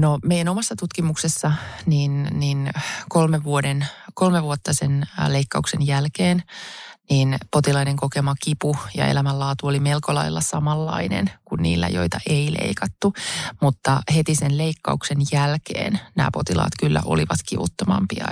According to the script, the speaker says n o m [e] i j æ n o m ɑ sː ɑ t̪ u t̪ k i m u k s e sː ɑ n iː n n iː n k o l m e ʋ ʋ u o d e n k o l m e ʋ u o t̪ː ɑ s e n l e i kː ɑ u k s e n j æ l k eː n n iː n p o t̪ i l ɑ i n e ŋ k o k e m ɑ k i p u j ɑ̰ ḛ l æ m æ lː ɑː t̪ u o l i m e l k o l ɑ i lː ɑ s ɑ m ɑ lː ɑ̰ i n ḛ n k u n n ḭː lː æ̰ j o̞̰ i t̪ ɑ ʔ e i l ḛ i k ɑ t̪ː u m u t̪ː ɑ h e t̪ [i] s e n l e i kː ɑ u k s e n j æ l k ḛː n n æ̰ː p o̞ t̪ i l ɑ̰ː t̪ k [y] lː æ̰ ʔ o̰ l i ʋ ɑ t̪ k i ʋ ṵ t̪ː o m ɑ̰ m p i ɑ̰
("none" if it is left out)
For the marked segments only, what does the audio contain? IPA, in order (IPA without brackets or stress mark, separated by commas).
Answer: e, i, y